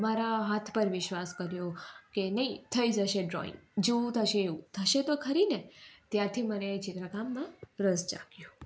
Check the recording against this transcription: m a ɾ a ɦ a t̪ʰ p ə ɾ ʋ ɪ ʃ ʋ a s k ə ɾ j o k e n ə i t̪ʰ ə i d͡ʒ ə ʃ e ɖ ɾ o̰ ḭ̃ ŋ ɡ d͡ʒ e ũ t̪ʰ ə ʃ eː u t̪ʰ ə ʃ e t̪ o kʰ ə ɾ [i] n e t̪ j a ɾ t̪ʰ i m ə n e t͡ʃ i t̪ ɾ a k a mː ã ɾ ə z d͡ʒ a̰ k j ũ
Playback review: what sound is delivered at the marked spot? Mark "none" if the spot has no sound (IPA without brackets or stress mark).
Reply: i